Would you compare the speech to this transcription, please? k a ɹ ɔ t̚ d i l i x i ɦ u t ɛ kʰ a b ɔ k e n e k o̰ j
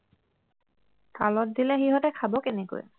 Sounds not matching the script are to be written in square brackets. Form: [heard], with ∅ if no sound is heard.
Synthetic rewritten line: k a [l] ɔ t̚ d i l [ɛ] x i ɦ [ɔ] t ɛ kʰ a b ɔ k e n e k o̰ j

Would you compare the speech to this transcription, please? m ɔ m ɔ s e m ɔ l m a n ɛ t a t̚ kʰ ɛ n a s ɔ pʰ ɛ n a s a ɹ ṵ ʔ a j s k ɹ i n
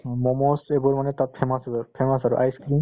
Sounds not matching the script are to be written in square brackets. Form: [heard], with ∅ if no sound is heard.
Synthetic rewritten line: m ɔ m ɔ s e [b] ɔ [ɹ] m a n ɛ t a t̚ [pʰ] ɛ [m] a s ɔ pʰ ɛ [m] a s a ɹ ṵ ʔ a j s k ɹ i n

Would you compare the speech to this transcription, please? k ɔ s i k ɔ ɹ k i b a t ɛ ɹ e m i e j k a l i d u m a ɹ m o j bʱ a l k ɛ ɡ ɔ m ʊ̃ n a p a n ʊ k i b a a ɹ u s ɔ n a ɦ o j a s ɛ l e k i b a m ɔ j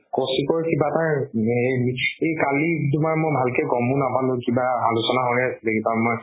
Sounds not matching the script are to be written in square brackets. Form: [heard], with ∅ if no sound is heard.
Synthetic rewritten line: k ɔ s i k ɔ ɹ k i b a t [a] ɹ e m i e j k a l i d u m a ɹ m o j bʱ a l k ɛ ɡ ɔ m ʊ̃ n a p a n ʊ k i b a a [l] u s ɔ n a ɦ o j a s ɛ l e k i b a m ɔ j

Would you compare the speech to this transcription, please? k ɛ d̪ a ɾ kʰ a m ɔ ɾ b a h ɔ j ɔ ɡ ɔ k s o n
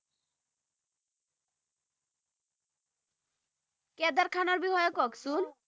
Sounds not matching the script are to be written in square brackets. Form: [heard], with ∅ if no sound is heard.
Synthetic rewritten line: k ɛ d̪ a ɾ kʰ a [n] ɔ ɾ b [i] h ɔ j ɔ [k] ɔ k s [u] n

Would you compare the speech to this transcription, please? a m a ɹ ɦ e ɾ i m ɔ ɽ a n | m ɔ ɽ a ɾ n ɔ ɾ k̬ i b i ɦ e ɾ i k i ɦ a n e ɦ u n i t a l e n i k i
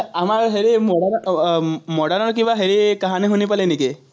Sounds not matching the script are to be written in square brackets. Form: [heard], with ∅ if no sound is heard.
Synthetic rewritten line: a m a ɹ ɦ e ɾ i m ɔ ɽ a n | m ɔ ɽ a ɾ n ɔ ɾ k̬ i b [a] ɦ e ɾ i k [a] ɦ a n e ɦ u n i [p] a l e n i k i

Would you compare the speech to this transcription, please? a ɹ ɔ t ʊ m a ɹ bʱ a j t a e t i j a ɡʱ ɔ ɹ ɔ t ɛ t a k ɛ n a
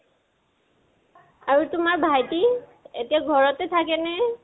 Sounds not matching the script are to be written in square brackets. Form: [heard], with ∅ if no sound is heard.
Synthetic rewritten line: a ɹ [u] t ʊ m a ɹ bʱ a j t [i] e t i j a ɡʱ ɔ ɹ ɔ t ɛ [tʰ] a k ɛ n [ɛ]

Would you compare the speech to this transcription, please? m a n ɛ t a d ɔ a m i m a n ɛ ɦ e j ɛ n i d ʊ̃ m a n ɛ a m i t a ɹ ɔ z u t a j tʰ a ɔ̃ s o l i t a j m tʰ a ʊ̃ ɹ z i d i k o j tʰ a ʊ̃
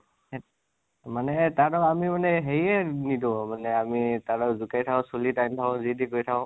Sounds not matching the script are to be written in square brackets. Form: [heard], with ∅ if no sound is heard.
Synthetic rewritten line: m a n ɛ t a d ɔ a m i m a n ɛ ɦ e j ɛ n i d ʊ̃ m a n ɛ a m i t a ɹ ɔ z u [k] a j tʰ a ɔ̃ s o l i t a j m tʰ a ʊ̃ [∅] z i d i k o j tʰ a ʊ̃

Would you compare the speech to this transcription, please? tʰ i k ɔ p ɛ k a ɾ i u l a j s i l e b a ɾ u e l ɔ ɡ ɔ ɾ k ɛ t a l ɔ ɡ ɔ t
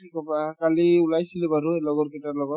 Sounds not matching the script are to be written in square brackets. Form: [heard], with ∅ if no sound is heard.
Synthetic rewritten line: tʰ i k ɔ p [a] k a [l] i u l a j s i l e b a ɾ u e l ɔ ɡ ɔ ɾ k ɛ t a l ɔ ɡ ɔ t

